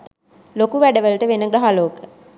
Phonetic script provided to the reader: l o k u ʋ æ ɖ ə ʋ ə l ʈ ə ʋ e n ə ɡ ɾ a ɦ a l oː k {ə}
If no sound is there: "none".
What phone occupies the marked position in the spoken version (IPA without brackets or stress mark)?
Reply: ə